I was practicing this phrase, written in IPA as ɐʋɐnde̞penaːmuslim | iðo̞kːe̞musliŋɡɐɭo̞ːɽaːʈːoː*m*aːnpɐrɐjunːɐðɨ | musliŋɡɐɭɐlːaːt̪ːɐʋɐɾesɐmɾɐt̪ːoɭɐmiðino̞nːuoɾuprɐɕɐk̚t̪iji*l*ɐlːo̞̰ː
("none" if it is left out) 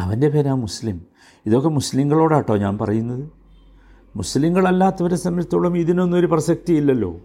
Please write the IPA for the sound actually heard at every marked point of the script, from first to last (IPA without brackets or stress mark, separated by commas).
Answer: ɲ, lː